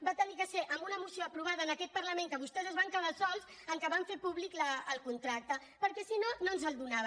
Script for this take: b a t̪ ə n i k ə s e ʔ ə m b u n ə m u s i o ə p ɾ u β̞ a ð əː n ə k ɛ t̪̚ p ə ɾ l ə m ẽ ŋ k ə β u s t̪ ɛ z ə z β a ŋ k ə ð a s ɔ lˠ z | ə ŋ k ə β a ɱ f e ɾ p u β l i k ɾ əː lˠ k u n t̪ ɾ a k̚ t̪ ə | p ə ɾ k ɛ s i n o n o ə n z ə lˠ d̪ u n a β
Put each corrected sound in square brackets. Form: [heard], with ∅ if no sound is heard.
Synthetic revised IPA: b a t̪ ə n i k ə s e ʔ ə m b u n ə m u s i o ə p ɾ u β̞ a ð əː n ə k ɛ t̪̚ p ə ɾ l ə m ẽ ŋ k ə β u s t̪ ɛ z ə z β a ŋ k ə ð a s ɔ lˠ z | ə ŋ k ə β a ɱ f e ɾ p u β l i k [l] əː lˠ k u n t̪ ɾ a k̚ t̪ ə | p ə ɾ k ɛ s i n o n o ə n z ə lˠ d̪ u n a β